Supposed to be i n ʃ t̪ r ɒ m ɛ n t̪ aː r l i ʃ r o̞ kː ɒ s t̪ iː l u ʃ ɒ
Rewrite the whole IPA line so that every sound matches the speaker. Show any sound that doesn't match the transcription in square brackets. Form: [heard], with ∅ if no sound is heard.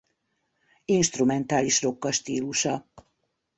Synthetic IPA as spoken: i n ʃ t̪ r [u] m ɛ n t̪ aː [∅] l i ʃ r o̞ kː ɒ [ʃ] t̪ iː l u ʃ ɒ